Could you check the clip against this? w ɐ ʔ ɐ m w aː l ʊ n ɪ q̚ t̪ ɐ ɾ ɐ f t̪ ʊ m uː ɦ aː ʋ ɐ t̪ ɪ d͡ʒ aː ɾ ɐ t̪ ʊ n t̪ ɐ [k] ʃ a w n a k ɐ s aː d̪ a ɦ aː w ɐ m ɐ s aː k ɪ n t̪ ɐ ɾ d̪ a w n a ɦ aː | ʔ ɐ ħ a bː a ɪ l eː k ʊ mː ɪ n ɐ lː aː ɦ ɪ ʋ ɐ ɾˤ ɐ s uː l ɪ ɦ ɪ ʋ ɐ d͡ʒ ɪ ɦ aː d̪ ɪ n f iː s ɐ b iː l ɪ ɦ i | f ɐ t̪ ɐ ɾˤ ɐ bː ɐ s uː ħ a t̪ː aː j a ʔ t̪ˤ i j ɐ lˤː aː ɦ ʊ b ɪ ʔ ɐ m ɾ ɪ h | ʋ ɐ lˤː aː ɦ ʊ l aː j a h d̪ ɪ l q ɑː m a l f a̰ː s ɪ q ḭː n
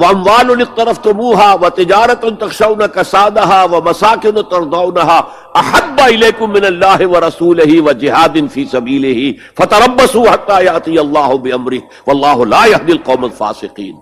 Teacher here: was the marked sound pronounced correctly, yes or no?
no